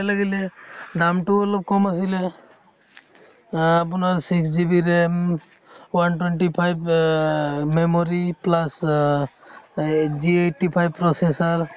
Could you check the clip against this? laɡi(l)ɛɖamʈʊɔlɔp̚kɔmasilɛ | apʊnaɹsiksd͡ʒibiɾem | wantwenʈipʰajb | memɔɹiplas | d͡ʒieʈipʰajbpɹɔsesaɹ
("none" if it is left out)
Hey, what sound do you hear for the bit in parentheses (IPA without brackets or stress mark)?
l